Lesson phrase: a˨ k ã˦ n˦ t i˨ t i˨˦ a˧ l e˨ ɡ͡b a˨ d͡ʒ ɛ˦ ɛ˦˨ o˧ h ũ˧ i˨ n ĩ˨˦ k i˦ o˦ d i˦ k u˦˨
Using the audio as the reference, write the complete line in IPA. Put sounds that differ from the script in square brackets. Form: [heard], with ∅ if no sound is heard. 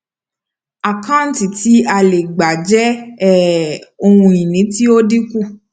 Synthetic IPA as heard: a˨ k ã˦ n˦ t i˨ t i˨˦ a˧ l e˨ ɡ͡b a˨ d͡ʒ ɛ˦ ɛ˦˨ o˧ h ũ˧ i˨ n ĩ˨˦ [t] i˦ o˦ d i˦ k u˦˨